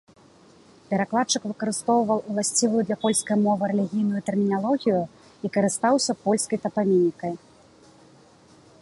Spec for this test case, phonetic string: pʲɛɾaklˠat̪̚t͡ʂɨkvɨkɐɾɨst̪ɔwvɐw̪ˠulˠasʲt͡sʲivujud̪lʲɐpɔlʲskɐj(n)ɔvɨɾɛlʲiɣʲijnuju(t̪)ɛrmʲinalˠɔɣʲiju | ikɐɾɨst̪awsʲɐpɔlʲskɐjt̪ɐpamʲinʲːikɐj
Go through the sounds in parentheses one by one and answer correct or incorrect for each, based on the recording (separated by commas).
incorrect, correct